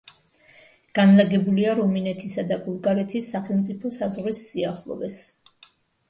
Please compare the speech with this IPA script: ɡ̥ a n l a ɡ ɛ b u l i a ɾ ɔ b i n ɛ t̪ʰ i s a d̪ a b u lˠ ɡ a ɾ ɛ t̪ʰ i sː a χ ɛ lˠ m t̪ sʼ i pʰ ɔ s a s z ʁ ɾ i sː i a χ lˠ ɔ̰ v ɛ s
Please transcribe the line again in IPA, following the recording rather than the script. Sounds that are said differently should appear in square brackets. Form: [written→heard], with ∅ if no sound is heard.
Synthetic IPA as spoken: ɡ̥ a n l a ɡ ɛ b u l i a ɾ ɔ [b→m] i n ɛ t̪ʰ i s a d̪ a b u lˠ ɡ a ɾ ɛ t̪ʰ i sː a χ ɛ lˠ m t̪ sʼ i pʰ ɔ s a [s→∅] z ʁ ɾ i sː i a χ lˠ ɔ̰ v ɛ s